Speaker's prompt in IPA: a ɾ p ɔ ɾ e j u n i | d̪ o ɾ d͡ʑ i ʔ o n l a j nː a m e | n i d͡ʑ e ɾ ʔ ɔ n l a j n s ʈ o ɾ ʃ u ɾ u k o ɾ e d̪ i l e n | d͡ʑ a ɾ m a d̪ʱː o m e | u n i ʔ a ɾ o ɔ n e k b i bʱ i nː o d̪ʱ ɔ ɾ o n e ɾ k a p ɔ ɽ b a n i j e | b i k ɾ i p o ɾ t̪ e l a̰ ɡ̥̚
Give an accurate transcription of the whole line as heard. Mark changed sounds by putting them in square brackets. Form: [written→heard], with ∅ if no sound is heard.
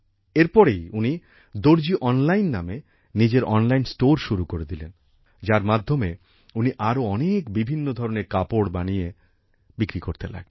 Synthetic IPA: [a→e] ɾ p ɔ ɾ e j u n i | d̪ o ɾ d͡ʑ i ʔ [o→ɔ] n l a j nː a m e | n i d͡ʑ e ɾ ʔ ɔ n l a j n s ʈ o ɾ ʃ u ɾ u k o ɾ e d̪ i l e n | d͡ʑ a ɾ m a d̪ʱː o m e | u n i ʔ a ɾ o ɔ n e k b i bʱ i nː o d̪ʱ ɔ ɾ o n e ɾ k a p [ɔ→o] ɽ b a n i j e | b i k ɾ i [p→k] o ɾ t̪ e l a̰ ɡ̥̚

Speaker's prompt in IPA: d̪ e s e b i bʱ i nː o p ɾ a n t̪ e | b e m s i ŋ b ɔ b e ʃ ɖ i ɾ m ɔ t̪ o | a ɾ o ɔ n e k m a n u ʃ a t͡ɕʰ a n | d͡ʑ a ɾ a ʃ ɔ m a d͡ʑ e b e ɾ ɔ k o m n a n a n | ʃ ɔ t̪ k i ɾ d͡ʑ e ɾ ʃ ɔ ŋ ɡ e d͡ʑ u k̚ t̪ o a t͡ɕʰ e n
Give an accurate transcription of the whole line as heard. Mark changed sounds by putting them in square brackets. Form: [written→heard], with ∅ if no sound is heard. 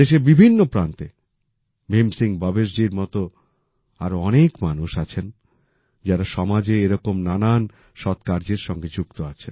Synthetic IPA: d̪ e [s→ʃ] e b i bʱ i nː o p ɾ a n t̪ e | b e m s i ŋ b ɔ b e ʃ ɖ i ɾ m ɔ t̪ o | a ɾ o ɔ n e k m a n u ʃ a t͡ɕʰ [a→e] n | d͡ʑ a ɾ a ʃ ɔ m a d͡ʑ e [b→∅] e ɾ ɔ k o m n a n a n | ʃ ɔ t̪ k [i→a] ɾ d͡ʑ e ɾ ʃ ɔ ŋ ɡ e d͡ʑ u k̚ t̪ o a t͡ɕʰ e n

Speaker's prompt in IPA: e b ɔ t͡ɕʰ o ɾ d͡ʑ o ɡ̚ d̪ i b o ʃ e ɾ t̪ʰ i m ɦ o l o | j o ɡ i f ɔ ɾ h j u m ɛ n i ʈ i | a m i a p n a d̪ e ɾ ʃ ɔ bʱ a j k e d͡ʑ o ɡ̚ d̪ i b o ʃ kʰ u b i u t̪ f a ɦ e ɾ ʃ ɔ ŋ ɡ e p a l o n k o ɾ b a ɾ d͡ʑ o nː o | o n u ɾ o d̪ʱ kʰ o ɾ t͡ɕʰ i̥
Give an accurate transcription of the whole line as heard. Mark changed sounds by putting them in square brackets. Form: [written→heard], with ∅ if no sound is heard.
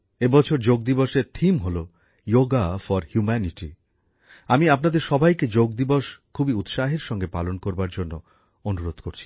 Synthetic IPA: e b ɔ t͡ɕʰ o ɾ d͡ʑ o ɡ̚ d̪ i b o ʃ e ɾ t̪ʰ i m ɦ o l o | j o ɡ [i→a] f ɔ ɾ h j u m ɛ n i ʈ i | a m i a p n a d̪ e ɾ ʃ ɔ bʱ a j k e d͡ʑ o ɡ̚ d̪ i b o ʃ kʰ u b i u t̪ [f→ʃ] a ɦ e ɾ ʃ ɔ ŋ ɡ e p a l o n k o ɾ b a ɾ d͡ʑ o nː o | o n u ɾ o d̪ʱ [kʰ→k] o ɾ t͡ɕʰ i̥

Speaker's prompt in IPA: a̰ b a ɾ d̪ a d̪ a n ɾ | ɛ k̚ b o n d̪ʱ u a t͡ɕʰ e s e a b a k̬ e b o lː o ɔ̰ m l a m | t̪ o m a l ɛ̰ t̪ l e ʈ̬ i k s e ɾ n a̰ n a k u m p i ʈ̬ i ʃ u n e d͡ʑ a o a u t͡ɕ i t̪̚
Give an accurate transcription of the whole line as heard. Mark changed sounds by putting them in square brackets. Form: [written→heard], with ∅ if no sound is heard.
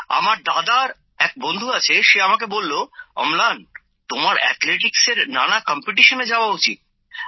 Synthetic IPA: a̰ [b→m] a ɾ d̪ a d̪ a [n→∅] ɾ | ɛ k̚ b o n d̪ʱ u a t͡ɕʰ e [s→ʃ] e a [b→m] a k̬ e b o lː o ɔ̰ m l a [m→n] | t̪ o m a [l→ɾ] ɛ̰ t̪ l e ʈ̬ i k s e ɾ n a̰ n a k [u→ɔ] m p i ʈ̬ i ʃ [u→o] n e d͡ʑ a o a u t͡ɕ i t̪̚

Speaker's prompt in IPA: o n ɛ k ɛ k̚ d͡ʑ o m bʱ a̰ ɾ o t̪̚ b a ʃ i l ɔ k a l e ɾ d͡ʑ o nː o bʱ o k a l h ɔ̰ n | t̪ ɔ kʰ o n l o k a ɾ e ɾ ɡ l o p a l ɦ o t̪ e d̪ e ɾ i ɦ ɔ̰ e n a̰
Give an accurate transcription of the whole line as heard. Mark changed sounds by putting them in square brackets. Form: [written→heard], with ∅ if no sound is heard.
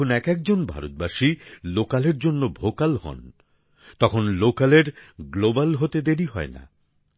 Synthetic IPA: o n ɛ k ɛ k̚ d͡ʑ o [m→n] bʱ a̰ ɾ o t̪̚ b a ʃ i l [ɔ→o] k a l e ɾ d͡ʑ o nː o bʱ o k a l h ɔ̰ n | t̪ ɔ kʰ o n l o k a [ɾ→l] e ɾ ɡ l o [p→b] a l ɦ o t̪ e d̪ e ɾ i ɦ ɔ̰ e n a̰

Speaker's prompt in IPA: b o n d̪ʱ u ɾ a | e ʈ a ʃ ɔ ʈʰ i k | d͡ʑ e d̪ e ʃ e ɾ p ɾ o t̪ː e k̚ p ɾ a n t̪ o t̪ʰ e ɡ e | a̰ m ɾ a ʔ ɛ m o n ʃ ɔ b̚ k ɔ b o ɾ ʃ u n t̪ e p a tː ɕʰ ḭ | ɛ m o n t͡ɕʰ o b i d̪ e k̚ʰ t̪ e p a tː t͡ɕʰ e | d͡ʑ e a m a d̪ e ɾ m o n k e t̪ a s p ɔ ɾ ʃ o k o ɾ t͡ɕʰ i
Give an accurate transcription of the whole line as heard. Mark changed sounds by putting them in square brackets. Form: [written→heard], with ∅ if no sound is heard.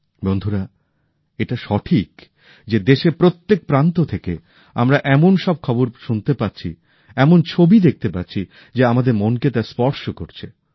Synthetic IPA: b o n d̪ʱ u ɾ a | e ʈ a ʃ ɔ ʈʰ i k | d͡ʑ e d̪ e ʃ e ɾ p ɾ o t̪ː e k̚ p ɾ a n t̪ o t̪ʰ e [ɡ→k] e | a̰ m ɾ a ʔ ɛ m o n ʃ ɔ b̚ [k→kʰ] ɔ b o ɾ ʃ u n t̪ e p a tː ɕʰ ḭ | ɛ m o n t͡ɕʰ o b i d̪ e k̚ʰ t̪ e p a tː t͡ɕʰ [e→i] | d͡ʑ e a m a d̪ e ɾ m o n k e t̪ a s p ɔ ɾ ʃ o k o ɾ t͡ɕʰ [i→e]

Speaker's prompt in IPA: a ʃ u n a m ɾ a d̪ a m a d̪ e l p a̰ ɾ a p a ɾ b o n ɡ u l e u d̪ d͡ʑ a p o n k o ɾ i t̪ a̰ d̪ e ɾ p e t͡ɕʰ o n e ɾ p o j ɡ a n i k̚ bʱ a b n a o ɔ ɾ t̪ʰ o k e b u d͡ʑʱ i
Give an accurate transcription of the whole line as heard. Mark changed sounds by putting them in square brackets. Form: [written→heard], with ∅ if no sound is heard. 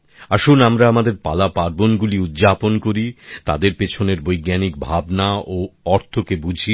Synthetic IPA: a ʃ u n a m ɾ a [d̪→∅] a m a d̪ e [l→ɾ] p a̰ [ɾ→l] a p a ɾ b o n ɡ u l [e→i] u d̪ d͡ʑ a p o n k o ɾ i t̪ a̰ d̪ e ɾ p e t͡ɕʰ o n e ɾ [p→b] o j ɡ a n i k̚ bʱ a b n a o ɔ ɾ t̪ʰ o k e b u d͡ʑʱ i

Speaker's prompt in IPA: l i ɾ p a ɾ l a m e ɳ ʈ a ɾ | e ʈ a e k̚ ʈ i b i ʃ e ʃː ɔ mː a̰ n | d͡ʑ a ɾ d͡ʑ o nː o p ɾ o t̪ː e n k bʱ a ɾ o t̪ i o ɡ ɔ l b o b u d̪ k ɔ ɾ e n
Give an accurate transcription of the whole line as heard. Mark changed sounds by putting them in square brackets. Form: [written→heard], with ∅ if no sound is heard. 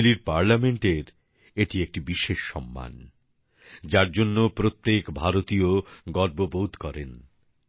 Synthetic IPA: l i ɾ p a ɾ l a m e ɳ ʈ [a→e] ɾ | e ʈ [a→i] e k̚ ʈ i b i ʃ e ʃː ɔ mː a̰ n | d͡ʑ a ɾ d͡ʑ o nː o p ɾ o t̪ː e [n→∅] k bʱ a ɾ o t̪ i o ɡ ɔ [l→ɾ] b o b [u→o] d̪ k ɔ ɾ e n

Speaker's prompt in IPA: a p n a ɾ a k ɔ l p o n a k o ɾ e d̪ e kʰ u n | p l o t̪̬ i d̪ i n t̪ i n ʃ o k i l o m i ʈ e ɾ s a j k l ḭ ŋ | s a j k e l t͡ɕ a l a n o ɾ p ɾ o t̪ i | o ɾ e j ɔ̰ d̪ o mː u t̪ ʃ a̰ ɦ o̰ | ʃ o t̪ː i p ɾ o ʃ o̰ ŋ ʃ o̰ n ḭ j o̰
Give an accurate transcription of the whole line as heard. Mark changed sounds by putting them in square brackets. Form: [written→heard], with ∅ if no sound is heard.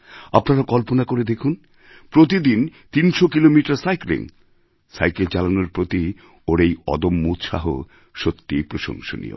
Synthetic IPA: a p n a ɾ a k ɔ l p o n a k o ɾ e d̪ e kʰ u n | p [l→ɾ] o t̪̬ i d̪ i n t̪ i n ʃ o k i l o m i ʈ [e→a] ɾ s a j k l ḭ ŋ | s a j k e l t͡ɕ a l a n o ɾ p ɾ o t̪ i | o ɾ e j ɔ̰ d̪ o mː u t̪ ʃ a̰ ɦ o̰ | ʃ o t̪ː i p ɾ o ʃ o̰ ŋ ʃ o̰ n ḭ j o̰

